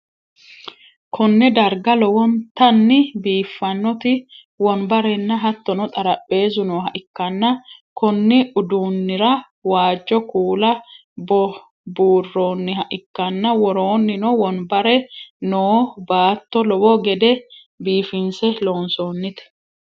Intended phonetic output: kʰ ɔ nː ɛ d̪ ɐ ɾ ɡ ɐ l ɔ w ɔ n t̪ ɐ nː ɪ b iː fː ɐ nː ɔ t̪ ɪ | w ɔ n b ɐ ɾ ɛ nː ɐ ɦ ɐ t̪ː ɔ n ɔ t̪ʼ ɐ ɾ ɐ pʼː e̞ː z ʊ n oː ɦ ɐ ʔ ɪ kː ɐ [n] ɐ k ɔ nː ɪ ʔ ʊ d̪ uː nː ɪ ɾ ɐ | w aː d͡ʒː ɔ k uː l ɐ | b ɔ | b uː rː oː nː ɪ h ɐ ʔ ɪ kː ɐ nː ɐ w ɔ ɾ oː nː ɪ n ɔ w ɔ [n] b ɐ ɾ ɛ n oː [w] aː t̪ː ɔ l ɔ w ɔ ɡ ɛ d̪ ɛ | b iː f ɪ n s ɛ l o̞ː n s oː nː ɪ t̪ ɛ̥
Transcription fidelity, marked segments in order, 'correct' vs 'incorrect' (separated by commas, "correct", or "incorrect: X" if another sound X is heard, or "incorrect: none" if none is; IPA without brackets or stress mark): incorrect: nː, correct, incorrect: b